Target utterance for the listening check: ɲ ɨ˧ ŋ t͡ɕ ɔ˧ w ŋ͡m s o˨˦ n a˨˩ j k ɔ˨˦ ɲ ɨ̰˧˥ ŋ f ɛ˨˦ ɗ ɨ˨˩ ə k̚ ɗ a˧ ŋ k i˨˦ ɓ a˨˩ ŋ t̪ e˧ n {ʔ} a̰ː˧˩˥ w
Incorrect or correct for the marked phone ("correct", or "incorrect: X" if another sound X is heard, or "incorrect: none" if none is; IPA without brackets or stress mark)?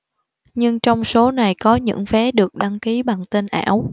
correct